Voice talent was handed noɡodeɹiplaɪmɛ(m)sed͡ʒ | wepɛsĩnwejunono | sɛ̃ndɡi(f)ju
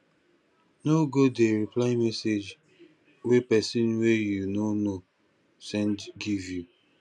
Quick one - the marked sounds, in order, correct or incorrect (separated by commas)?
incorrect, incorrect